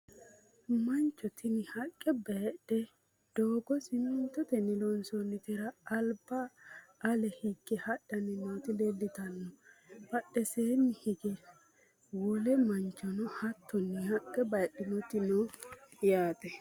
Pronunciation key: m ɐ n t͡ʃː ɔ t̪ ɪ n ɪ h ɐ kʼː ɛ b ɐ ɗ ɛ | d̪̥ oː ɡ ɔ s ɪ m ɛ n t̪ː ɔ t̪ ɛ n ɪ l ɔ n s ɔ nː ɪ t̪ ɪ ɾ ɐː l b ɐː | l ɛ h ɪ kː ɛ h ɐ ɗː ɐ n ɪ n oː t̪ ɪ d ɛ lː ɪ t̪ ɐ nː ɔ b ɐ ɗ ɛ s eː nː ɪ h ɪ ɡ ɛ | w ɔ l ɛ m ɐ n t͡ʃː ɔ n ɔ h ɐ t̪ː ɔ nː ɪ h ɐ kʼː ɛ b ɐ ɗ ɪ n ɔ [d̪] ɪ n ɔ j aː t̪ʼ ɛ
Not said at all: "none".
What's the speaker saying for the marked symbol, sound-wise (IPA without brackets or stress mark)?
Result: t̪